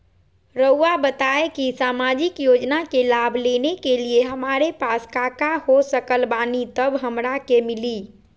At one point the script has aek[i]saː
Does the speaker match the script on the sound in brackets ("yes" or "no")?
yes